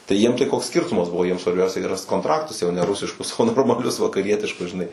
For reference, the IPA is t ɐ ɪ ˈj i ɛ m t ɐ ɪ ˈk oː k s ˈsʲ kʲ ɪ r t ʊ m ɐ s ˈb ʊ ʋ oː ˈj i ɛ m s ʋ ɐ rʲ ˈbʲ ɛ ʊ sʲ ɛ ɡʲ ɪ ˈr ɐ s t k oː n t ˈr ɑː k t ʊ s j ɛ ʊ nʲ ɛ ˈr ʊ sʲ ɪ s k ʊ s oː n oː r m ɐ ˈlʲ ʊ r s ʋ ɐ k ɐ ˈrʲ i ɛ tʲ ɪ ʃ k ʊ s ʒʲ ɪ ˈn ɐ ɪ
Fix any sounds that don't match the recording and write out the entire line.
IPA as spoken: t ɐ ɪ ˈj i ɛ m t ɐ ɪ ˈk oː k s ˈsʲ kʲ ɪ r t ʊ m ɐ s ˈb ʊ ʋ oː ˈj i ɛ m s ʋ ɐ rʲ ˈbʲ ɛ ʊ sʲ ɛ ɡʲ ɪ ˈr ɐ s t k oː n t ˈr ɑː k t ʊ s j ɛ ʊ nʲ ɛ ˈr ʊ sʲ ɪ ʃ k ʊ s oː n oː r m ɐ ˈlʲ ʊ s ʋ ɐ k ɐ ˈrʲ i ɛ tʲ ɪ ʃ k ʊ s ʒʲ ɪ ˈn ɐ ɪ